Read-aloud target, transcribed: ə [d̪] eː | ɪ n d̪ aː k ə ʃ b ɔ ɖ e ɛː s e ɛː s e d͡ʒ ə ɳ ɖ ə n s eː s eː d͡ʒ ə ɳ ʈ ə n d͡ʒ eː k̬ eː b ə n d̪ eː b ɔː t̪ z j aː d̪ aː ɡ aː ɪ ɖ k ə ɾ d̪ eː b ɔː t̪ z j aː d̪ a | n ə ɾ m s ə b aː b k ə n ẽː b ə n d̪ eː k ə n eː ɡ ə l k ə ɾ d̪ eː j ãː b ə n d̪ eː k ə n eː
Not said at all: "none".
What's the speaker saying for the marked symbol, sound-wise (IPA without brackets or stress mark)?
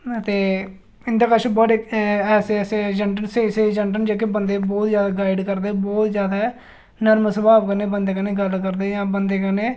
t̪